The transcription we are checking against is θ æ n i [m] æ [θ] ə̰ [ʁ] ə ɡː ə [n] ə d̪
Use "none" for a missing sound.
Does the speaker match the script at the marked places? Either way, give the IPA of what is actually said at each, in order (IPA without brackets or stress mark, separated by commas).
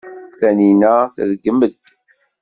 n, θ, ð, m